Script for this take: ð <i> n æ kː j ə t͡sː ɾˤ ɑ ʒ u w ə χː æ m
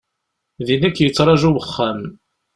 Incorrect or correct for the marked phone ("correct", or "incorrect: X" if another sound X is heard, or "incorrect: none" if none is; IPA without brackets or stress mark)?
correct